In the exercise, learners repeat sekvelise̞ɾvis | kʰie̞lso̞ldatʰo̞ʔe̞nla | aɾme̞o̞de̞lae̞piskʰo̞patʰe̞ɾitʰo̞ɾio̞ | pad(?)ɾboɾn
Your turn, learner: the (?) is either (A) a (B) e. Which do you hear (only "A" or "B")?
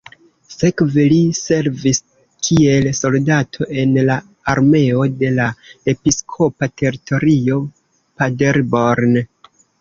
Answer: B